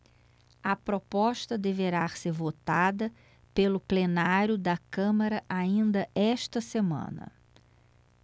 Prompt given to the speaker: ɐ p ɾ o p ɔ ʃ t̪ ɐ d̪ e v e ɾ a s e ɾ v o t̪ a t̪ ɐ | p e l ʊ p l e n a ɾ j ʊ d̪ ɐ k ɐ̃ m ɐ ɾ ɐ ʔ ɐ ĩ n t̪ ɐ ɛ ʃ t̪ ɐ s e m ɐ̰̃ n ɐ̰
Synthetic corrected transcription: ɐ p ɾ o p ɔ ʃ t̪ ɐ d̪ e v e ɾ a s e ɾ v o t̪ a d̪ ɐ | p e l ʊ p l e n a ɾ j ʊ d̪ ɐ k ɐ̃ m ɐ ɾ ɐ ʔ a ĩ n d̪ ɐ ɛ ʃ t̪ ɐ s e m ɐ̰̃ n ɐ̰

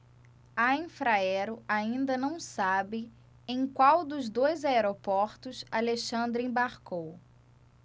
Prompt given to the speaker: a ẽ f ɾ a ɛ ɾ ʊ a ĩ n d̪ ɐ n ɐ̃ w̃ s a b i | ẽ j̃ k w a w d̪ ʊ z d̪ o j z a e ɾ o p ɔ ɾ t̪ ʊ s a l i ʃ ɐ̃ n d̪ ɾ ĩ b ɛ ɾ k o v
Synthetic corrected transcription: a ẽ f ɾ a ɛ ɾ ʊ a ĩ n d̪ ɐ n ɐ̃ w̃ s a b ɪ | ẽ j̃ k w a w d̪ ʊ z d̪ o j z a e ɾ o p ɔ ɾ t̪ ʊ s a l e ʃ ɐ̃ n d̪ ɾ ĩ b a ɾ k o w

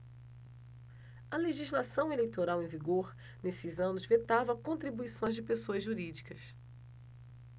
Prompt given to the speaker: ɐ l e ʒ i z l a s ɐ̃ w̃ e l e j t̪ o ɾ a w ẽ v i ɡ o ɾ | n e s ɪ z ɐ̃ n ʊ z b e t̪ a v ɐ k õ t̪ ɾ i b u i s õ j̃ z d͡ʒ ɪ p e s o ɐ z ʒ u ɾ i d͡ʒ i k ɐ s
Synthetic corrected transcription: ɐ l e ʒ i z l a s ɐ̃ w̃ e l e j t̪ o ɾ a w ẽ v i ɡ o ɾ | n e s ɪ z ɐ̃ n ʊ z v e t̪ a v ɐ k õ t̪ ɾ i b u i s õ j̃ z d͡ʒ ɪ p e s o ɐ z ʒ u ɾ i d͡ʒ i k ɐ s

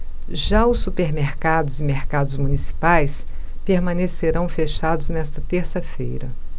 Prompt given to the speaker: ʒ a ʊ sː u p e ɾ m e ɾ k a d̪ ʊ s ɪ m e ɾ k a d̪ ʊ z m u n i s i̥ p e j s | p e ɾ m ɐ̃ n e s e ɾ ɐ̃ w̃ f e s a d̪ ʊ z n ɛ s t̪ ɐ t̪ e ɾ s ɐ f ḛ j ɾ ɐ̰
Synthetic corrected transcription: ʒ a ʊ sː u p e ɾ m e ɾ k a d̪ ʊ z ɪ m e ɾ k a d̪ ʊ z m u n i s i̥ p a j s | p e ɾ m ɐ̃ n e s e ɾ ɐ̃ w̃ f e ʃ a d̪ ʊ z n ɛ s t̪ ɐ t̪ e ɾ s ɐ f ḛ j ɾ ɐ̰

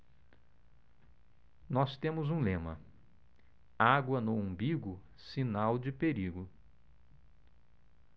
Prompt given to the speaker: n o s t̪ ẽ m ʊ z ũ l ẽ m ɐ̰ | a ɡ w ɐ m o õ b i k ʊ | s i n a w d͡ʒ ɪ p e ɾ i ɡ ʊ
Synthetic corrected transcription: n ɔ s t̪ ẽ m ʊ z ũ l ẽ m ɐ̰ | a ɡ w ɐ n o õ b i ɡ ʊ | s i n a w d͡ʒ ɪ p e ɾ i ɡ ʊ

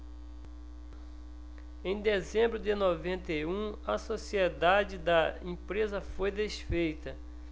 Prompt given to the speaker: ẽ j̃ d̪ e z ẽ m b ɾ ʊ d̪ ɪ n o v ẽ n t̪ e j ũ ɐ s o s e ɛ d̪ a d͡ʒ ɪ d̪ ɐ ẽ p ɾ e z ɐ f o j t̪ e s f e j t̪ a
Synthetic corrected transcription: ẽ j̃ d̪ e z ẽ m b ɾ ʊ d̪ ɪ n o v ẽ n t̪ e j ũ ɐ s o s i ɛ d̪ a d͡ʒ ɪ d̪ ɐ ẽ p ɾ e z ɐ f o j d̪ e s f e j t̪ ɐ

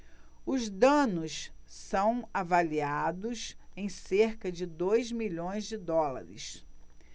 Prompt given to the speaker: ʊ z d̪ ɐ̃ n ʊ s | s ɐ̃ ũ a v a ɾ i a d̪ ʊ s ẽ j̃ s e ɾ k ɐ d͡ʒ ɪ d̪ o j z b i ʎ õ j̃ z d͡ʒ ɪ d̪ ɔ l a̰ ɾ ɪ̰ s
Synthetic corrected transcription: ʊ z d̪ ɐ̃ n ʊ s | s ɐ̃ w̃ a v a l i a d̪ ʊ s ẽ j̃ s e ɾ k ɐ d͡ʒ ɪ d̪ o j z m i ʎ õ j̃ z d͡ʒ ɪ d̪ ɔ l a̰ ɾ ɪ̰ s

